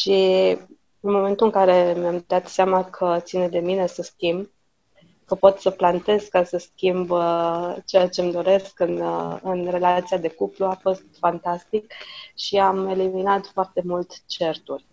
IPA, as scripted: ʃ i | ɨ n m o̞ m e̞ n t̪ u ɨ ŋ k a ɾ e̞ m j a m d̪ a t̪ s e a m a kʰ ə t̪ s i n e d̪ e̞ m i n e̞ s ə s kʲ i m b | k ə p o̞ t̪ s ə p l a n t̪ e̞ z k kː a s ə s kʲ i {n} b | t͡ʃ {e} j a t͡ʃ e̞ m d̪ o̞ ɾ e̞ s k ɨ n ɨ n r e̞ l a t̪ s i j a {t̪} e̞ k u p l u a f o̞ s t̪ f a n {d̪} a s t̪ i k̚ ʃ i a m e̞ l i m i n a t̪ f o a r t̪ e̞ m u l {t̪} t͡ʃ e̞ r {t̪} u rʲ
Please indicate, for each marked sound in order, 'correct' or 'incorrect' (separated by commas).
incorrect, correct, incorrect, incorrect, correct, correct